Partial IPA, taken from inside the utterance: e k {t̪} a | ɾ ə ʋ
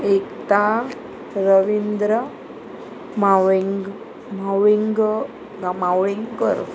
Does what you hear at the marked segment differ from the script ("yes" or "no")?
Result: no